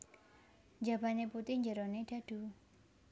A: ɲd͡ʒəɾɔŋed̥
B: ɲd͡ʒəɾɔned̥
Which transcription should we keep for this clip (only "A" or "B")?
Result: B